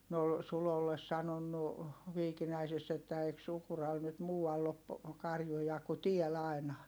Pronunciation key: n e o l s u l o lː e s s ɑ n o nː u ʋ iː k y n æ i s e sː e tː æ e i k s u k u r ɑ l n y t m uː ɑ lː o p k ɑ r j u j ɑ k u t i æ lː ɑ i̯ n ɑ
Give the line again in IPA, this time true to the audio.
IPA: n e o l s u l o lː e s s ɑ n o nː u ʋ iː k i n æ i s e sː e tː æ e i k s u k u r ɑ l n y t m uː ɑ lː o p k ɑ r j u j ɑ k u t i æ l ɑ i̯ n ɑ